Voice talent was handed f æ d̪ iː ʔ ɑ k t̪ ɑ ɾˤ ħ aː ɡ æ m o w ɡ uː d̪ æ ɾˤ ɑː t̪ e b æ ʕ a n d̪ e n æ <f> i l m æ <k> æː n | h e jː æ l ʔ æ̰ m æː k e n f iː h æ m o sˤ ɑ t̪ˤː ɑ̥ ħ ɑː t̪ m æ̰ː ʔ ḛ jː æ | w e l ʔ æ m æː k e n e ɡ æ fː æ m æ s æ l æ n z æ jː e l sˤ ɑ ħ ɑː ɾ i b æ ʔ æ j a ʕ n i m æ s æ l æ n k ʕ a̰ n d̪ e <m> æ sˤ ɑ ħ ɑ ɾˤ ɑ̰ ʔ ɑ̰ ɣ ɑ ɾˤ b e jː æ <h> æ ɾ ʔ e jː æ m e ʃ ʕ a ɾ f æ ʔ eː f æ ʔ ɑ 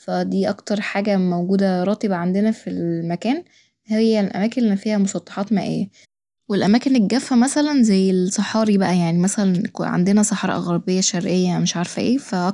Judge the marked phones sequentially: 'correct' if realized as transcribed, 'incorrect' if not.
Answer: correct, correct, incorrect: n, incorrect: ʃ

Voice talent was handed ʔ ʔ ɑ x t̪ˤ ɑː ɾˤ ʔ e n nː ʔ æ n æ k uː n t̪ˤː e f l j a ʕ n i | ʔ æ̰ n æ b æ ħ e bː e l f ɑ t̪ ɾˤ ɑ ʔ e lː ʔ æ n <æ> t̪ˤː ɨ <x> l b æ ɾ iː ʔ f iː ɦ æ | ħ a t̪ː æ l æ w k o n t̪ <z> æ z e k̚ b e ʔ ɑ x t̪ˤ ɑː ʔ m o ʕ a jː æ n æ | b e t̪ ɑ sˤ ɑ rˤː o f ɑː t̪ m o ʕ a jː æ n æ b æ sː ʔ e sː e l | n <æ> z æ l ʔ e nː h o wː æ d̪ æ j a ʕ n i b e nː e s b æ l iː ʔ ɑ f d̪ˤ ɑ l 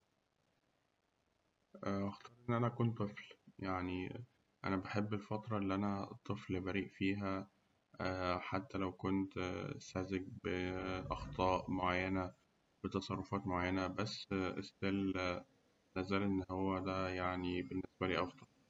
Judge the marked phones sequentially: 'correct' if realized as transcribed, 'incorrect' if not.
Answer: correct, incorrect: f, incorrect: s, correct

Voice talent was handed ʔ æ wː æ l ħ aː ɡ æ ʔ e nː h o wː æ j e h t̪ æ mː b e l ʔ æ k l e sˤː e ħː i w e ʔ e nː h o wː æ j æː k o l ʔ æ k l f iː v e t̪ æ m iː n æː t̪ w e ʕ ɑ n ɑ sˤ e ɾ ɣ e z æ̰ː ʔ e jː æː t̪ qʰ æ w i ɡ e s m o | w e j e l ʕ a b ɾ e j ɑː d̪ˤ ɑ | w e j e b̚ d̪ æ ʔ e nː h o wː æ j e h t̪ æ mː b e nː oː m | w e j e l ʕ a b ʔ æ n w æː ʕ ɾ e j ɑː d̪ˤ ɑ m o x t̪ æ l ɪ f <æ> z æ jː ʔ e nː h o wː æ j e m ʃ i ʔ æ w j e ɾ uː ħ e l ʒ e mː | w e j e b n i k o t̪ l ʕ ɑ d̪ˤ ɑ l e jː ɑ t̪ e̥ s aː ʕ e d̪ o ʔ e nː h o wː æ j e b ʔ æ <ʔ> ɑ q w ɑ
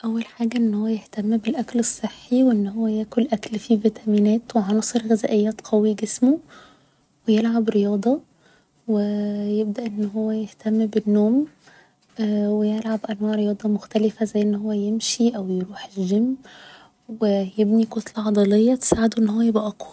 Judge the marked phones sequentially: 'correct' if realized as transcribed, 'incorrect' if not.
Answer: correct, correct

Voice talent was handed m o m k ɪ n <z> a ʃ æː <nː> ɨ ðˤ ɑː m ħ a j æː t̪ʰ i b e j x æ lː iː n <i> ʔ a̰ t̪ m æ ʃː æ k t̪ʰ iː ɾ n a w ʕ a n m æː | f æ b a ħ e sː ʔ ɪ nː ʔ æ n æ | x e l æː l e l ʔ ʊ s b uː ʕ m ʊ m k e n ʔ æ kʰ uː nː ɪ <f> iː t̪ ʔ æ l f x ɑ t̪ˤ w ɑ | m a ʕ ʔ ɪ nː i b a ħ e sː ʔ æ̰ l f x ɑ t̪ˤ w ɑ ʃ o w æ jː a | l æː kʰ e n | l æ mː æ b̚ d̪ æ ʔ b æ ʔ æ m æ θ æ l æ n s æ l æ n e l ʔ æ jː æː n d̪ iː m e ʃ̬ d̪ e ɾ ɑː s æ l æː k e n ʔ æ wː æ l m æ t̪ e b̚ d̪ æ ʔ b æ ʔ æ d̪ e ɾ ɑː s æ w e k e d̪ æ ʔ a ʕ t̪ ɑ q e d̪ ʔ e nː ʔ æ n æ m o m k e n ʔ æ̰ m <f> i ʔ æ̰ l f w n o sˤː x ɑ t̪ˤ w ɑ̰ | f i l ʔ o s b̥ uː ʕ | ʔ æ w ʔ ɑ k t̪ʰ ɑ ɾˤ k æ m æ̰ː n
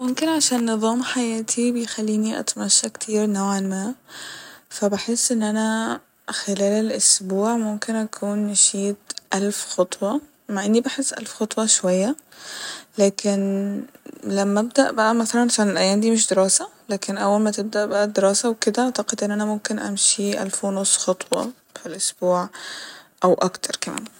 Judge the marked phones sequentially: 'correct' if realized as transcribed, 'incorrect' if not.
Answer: incorrect: ʕ, correct, correct, incorrect: ʃ, incorrect: ʃ

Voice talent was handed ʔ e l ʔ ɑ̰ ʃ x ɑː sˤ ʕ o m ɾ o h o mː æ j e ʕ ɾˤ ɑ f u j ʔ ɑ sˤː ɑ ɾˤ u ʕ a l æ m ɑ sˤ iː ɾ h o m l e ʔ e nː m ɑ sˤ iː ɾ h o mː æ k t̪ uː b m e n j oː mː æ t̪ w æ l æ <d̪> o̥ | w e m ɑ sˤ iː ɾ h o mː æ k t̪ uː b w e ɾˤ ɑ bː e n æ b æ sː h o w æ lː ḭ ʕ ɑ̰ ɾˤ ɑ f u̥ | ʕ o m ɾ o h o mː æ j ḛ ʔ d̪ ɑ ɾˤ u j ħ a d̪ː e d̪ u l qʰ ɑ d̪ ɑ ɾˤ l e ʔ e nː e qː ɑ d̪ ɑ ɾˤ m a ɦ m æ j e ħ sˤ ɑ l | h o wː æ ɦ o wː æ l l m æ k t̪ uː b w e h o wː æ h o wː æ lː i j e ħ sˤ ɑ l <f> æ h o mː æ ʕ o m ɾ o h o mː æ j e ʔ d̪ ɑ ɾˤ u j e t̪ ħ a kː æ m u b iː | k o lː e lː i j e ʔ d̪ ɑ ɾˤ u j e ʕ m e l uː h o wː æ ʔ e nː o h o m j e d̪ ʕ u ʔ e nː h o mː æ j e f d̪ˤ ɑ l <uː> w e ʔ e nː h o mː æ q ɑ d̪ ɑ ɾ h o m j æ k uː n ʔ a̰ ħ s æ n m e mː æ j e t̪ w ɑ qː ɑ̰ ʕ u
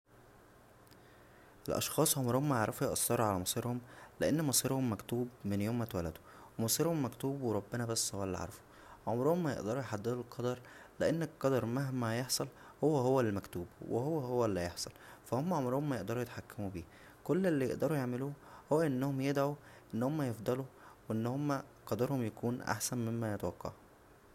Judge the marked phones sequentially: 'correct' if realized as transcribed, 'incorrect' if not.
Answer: correct, correct, incorrect: u

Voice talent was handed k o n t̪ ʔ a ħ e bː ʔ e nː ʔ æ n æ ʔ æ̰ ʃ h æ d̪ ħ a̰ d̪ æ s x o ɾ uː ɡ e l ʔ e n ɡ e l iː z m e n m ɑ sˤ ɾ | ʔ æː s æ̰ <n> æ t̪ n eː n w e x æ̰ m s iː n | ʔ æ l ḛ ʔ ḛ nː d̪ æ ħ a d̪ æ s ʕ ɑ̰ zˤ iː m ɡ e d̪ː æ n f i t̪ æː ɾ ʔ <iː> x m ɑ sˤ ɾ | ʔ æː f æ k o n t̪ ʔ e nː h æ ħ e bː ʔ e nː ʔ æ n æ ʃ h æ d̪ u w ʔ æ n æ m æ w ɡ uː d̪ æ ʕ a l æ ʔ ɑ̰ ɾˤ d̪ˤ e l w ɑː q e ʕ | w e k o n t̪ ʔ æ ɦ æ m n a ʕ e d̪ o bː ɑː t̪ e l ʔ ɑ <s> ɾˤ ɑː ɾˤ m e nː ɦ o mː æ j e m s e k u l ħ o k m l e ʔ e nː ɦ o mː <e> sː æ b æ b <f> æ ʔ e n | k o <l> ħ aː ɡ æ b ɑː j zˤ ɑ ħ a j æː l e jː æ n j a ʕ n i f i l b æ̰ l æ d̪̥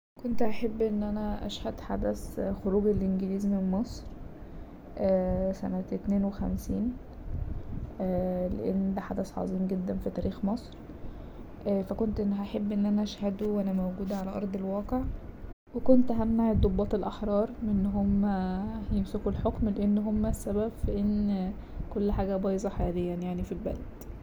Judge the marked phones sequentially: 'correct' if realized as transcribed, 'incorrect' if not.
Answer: correct, correct, incorrect: ħ, incorrect: æ, correct, incorrect: lː

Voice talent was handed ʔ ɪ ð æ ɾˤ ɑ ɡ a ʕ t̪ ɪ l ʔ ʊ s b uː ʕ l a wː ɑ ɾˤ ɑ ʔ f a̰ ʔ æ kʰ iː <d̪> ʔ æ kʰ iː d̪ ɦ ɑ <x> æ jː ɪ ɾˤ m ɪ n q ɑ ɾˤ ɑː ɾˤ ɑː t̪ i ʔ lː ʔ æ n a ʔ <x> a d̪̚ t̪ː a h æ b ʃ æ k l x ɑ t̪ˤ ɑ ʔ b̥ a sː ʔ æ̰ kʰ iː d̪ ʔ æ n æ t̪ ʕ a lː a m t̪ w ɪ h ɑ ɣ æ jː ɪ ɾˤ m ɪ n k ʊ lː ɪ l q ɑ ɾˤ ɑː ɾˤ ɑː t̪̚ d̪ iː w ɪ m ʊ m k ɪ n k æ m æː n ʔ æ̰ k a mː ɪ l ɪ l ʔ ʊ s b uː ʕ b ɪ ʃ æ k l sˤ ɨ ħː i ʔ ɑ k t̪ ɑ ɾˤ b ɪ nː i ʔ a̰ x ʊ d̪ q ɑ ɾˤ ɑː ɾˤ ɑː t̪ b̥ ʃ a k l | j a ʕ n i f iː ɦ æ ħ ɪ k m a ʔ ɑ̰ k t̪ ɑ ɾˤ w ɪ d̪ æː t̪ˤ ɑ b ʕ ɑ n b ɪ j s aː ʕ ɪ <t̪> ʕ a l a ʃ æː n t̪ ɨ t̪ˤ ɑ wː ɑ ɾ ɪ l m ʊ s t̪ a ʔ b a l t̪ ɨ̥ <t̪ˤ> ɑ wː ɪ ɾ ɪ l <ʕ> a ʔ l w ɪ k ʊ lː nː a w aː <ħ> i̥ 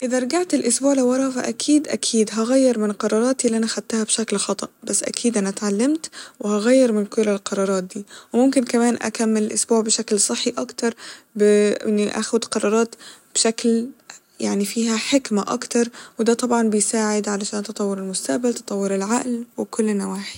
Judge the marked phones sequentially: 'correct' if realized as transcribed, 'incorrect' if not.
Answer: correct, incorrect: ɣ, correct, incorrect: d̪, correct, correct, correct

